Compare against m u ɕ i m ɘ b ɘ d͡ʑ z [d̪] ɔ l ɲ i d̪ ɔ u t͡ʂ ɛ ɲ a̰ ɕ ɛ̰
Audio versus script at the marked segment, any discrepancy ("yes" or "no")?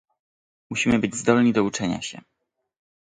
no